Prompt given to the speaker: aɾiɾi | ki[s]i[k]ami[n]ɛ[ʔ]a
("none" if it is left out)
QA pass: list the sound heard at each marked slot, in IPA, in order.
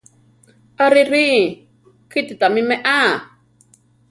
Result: t, t, m, ʔ

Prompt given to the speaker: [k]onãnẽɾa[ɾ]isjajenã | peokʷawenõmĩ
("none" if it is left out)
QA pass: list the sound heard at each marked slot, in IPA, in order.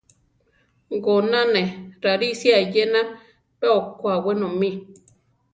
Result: ɡ, ɾ

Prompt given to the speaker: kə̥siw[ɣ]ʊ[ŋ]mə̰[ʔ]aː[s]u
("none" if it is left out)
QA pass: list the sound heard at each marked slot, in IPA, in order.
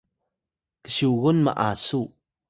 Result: ɣ, n, ʔ, s

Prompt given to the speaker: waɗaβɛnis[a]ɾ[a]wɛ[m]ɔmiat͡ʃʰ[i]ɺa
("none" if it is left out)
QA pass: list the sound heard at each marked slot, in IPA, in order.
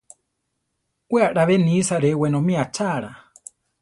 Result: a, ɛ, n, a

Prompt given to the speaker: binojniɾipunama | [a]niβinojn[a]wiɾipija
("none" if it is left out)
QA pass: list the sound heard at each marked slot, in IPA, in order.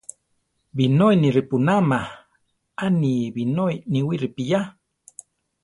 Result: a, i

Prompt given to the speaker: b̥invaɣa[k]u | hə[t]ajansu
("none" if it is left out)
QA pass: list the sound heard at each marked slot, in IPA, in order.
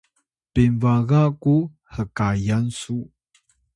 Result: k, k

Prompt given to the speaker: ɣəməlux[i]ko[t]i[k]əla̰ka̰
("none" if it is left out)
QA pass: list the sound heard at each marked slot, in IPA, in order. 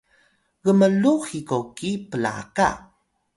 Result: i, k, p

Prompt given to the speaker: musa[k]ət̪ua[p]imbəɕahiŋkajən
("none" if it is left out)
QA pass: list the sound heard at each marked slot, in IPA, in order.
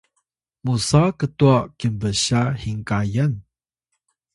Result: k, k

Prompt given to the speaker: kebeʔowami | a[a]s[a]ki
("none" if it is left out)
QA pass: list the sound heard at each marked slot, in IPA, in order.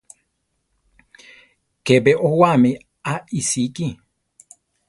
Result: i, i

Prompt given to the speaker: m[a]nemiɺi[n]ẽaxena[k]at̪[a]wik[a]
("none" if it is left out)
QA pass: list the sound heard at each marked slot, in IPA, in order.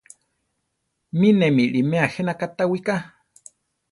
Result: i, m, k, a, a

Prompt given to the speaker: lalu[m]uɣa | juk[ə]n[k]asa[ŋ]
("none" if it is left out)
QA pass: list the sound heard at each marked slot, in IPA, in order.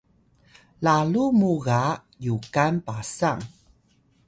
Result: m, a, p, ŋ

